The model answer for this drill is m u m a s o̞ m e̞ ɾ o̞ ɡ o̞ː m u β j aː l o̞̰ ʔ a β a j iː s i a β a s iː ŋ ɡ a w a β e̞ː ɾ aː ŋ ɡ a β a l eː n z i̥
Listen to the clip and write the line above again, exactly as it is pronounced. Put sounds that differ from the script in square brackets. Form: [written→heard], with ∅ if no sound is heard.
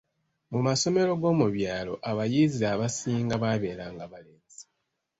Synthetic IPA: m u m a s o̞ m e̞ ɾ o̞ ɡ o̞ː m u β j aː l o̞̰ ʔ a β a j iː [s→z] i a β a s iː ŋ ɡ a [w→β] a β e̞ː ɾ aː ŋ ɡ a β a l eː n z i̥